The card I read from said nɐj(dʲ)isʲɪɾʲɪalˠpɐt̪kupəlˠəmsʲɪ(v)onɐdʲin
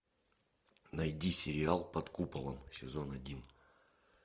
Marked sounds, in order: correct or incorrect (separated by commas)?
correct, incorrect